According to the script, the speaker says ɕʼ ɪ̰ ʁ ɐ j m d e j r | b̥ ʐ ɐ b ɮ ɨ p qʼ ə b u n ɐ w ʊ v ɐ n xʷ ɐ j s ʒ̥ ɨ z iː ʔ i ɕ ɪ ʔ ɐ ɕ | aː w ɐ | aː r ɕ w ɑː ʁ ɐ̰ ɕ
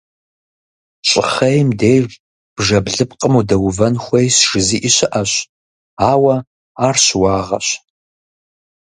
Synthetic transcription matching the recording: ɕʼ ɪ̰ χ ɐ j m d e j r | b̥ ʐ ɐ b ɮ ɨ p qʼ ə m u d ɐ w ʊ v ɐ n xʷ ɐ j s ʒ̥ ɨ z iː ʔ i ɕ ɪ ʔ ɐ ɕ | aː w ɐ | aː r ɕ w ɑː ʁ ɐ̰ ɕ